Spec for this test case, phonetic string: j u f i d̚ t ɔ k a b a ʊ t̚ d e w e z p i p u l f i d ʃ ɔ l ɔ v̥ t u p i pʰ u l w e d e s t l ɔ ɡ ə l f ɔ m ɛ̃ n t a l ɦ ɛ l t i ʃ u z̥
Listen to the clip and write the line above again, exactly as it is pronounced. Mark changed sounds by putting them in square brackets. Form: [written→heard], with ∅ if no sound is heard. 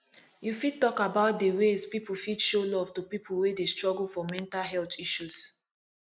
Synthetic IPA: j u f i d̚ t ɔ k a b a ʊ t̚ d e w e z p i p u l f i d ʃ [ɔ→o] l ɔ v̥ t u p i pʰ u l w e d e s t [l→ɹ] ɔ ɡ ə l f ɔ m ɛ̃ n t a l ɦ ɛ l t i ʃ u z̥